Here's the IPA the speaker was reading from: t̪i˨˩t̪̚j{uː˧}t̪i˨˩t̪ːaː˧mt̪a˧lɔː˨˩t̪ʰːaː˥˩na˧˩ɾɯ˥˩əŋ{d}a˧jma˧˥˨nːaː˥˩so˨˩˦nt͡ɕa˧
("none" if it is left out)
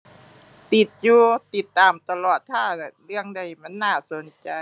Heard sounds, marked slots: uː˧, d

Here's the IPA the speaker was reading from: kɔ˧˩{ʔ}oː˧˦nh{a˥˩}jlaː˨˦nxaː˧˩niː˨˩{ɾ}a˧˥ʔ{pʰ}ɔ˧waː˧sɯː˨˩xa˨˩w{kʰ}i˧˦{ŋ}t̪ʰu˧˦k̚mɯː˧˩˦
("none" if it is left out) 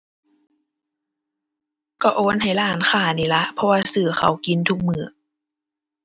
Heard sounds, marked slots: ʔ, a˨˩, l, pʰ, k, n

